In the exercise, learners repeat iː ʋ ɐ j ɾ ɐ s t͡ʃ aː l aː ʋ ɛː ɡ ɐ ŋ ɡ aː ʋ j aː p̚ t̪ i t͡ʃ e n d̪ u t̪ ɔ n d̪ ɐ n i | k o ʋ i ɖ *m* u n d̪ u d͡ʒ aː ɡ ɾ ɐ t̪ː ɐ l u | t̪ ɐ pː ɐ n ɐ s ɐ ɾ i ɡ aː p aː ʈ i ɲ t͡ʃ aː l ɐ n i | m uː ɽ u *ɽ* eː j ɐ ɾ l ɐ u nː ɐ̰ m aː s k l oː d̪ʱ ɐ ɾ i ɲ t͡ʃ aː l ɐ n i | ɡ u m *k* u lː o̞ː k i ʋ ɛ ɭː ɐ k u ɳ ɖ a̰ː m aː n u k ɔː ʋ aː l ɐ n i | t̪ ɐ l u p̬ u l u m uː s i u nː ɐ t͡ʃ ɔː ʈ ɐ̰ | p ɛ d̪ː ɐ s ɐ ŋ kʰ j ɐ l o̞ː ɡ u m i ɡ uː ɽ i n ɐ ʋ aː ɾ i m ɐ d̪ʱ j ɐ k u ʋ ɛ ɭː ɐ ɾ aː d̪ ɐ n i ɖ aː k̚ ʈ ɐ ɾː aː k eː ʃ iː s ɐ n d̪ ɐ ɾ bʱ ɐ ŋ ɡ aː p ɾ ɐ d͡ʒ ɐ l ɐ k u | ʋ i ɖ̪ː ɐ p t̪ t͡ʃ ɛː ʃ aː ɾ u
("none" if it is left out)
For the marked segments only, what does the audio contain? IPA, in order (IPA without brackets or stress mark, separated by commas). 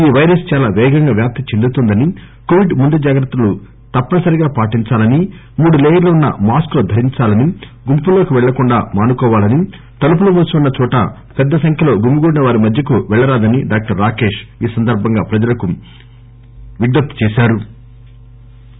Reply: m, l, p